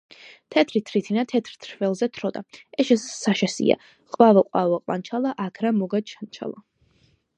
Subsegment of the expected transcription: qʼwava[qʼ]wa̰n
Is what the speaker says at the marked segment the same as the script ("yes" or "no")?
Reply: yes